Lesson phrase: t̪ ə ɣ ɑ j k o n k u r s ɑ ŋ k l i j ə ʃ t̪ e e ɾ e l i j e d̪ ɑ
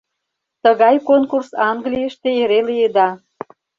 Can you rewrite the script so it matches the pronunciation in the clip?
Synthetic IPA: t̪ ə ɣ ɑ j k o n k u r s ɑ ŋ ɡ l i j ə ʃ t̪ e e ɾ e l i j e d̪ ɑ